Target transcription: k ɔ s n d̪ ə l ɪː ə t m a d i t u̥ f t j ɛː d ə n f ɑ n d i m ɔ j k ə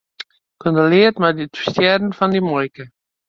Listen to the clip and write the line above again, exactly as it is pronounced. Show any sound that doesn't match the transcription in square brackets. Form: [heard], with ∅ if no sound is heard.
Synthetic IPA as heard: k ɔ [∅] n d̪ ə l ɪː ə t m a d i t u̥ [s] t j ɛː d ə n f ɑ n d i m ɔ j k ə